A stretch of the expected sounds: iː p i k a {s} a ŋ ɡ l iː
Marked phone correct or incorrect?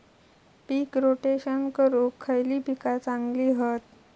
incorrect